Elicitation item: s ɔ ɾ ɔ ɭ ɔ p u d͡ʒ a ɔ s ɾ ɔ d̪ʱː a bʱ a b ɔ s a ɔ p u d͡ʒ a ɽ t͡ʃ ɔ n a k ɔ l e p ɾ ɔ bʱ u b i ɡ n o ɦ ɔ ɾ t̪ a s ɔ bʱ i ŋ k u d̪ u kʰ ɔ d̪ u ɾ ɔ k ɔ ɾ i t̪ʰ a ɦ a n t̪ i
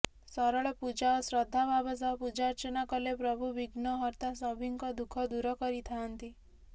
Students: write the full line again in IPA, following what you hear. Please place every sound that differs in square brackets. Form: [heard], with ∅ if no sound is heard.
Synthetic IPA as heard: s ɔ ɾ ɔ ɭ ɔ p u d͡ʒ a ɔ s ɾ ɔ d̪ʱː a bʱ a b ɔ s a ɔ p u d͡ʒ a [ɾ] t͡ʃ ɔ n a k ɔ l e p ɾ ɔ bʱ u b i ɡ n [ɔ] ɦ ɔ ɾ t̪ a s ɔ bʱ i ŋ k [ɔ] d̪ u kʰ ɔ d̪ u ɾ ɔ k ɔ ɾ i t̪ʰ a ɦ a n t̪ i